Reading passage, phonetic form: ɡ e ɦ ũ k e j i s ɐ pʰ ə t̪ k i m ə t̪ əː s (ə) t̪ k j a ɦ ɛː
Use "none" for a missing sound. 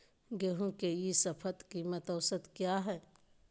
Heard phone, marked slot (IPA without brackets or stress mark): ə